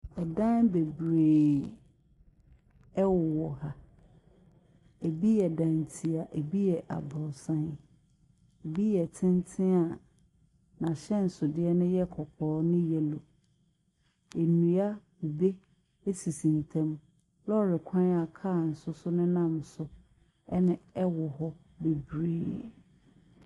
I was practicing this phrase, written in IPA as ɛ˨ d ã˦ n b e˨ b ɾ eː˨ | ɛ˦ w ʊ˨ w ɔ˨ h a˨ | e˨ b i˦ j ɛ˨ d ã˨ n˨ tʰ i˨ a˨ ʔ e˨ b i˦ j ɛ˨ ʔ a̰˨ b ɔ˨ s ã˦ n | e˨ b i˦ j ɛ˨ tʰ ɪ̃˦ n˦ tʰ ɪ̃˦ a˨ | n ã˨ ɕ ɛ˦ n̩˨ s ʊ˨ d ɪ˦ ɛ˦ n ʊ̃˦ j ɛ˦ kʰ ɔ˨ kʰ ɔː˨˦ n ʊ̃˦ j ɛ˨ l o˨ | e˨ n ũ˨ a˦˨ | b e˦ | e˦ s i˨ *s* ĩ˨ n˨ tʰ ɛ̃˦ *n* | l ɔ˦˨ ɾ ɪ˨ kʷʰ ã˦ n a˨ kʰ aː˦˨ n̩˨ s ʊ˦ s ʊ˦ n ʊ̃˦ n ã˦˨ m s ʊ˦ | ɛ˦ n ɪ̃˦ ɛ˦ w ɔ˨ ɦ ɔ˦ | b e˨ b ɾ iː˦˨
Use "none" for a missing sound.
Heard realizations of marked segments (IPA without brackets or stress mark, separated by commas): s, m